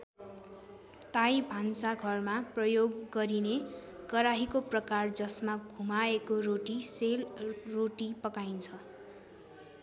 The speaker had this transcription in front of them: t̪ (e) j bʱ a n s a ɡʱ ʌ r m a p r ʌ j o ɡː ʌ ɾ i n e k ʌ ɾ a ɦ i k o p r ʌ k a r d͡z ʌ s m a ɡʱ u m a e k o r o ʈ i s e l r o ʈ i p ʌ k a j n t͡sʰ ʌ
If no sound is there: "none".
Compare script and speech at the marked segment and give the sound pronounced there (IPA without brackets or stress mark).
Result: a